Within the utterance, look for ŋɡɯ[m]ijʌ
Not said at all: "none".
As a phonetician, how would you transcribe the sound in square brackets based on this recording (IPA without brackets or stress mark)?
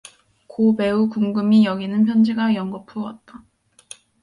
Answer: m